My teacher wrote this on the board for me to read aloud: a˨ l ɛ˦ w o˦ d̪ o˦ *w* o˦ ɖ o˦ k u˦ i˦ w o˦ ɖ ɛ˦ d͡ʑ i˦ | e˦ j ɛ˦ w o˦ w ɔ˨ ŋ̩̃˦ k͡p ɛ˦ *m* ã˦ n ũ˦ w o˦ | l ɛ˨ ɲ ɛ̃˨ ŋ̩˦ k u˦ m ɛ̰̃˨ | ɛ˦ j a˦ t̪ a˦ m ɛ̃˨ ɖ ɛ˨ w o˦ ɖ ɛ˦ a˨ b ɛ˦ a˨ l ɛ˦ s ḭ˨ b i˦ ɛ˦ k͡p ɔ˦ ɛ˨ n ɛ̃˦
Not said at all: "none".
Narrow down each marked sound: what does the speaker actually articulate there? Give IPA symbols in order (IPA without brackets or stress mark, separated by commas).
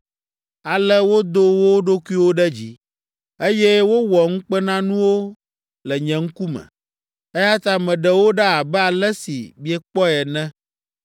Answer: w, n